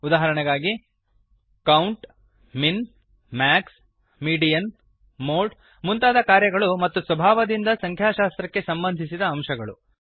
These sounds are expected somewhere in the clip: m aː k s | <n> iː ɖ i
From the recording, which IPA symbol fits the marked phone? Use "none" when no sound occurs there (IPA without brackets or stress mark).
m